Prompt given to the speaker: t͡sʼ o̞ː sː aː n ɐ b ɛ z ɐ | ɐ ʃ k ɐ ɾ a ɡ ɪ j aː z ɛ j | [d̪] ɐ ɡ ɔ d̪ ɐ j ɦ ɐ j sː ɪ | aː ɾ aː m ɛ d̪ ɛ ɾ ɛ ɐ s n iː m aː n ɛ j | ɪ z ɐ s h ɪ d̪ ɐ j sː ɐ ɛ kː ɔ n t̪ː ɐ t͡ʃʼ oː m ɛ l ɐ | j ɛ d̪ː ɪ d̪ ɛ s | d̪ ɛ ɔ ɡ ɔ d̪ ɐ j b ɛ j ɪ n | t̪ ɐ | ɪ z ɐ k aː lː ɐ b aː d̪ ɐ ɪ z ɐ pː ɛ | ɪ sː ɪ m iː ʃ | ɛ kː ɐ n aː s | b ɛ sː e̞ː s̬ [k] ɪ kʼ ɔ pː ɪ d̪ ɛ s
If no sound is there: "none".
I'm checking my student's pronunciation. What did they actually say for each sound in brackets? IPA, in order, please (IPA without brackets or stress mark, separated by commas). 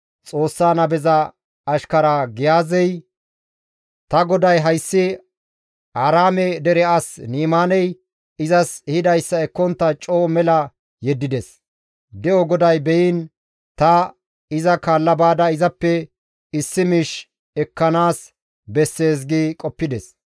t̪, ɡ